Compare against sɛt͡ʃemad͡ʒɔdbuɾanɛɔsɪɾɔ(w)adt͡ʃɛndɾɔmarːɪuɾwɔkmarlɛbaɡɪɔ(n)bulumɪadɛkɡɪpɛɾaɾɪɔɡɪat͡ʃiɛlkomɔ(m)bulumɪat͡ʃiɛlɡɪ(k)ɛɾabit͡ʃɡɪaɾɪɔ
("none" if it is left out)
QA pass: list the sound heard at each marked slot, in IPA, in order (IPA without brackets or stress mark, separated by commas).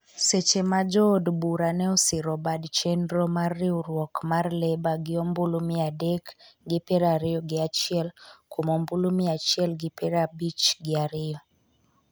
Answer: b, m, m, p